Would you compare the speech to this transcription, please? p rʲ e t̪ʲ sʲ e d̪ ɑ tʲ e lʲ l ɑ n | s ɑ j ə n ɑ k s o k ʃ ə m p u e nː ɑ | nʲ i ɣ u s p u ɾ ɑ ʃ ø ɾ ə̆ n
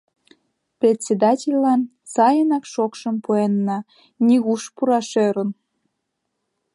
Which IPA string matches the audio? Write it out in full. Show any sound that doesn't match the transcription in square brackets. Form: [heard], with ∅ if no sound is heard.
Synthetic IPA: p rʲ e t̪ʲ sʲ e d̪ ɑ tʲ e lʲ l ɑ n | s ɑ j ə n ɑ k [ʃ] o k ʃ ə m p u e nː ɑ | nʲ i ɣ u [ʃ] p u ɾ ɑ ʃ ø ɾ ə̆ n